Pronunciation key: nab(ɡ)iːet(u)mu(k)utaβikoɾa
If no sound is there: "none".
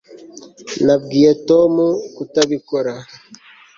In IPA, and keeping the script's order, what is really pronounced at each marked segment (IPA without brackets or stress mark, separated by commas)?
ɡ, o, k